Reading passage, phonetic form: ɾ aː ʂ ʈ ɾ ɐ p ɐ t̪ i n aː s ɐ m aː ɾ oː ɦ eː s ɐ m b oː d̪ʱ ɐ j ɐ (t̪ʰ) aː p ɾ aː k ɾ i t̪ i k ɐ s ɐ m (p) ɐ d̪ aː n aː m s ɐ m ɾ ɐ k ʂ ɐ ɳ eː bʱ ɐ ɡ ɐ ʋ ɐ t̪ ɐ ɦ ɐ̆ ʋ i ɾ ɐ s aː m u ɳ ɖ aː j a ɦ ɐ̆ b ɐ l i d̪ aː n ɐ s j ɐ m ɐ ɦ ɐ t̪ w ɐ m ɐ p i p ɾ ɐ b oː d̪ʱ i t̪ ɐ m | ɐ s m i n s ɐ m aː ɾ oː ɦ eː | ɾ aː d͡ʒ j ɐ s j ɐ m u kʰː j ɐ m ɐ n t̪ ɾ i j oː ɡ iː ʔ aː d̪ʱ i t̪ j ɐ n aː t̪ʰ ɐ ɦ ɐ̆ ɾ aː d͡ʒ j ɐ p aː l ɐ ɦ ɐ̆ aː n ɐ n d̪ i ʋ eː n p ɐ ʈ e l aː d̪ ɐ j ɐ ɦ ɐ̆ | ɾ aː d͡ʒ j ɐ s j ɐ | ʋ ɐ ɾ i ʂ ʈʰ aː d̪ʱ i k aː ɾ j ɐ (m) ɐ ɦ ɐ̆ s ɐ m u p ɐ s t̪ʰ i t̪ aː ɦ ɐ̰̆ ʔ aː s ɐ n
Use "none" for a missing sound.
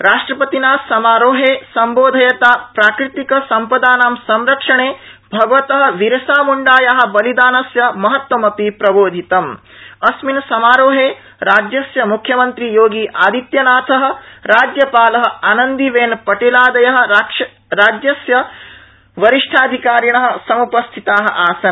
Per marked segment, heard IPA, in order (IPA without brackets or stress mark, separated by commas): t̪, p, ɳ